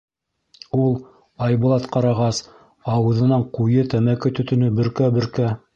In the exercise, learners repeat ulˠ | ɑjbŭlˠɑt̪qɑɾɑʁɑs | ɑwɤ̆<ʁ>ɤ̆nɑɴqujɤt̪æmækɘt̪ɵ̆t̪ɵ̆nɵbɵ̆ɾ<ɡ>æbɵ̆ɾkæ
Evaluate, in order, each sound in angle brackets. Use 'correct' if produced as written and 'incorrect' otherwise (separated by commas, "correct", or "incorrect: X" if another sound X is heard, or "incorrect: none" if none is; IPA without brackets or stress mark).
incorrect: ð, incorrect: k